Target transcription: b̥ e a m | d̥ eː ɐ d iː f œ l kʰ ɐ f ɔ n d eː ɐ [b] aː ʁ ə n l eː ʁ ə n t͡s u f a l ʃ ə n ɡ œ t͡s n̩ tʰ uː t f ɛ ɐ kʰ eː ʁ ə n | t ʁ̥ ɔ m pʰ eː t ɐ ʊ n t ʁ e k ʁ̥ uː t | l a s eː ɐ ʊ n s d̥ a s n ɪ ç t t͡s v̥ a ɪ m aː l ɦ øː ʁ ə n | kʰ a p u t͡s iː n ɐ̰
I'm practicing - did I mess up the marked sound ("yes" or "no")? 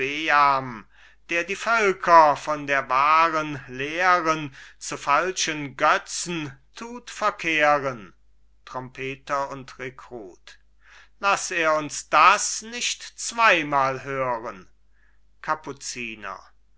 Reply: yes